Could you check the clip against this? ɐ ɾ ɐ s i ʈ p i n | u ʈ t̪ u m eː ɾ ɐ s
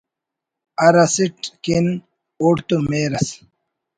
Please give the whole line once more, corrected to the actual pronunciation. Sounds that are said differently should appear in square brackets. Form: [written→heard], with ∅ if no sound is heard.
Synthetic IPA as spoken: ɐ ɾ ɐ s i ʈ [p→k] i n | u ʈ t̪ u m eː ɾ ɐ s